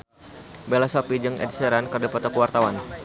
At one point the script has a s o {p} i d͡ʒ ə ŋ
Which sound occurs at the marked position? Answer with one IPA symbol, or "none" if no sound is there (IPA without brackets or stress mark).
p